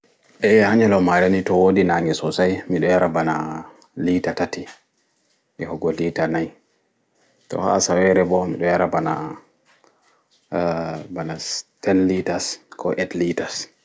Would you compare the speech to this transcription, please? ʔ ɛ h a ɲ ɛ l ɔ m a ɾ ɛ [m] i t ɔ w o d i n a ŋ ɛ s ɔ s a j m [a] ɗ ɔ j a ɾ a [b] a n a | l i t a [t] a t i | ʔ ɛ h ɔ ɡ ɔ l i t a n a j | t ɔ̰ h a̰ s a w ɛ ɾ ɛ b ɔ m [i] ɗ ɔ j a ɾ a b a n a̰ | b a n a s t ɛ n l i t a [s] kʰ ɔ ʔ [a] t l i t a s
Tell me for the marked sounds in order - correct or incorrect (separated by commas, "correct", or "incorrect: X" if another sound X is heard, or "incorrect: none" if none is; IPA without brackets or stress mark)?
incorrect: n, incorrect: i, correct, correct, correct, correct, incorrect: ɛ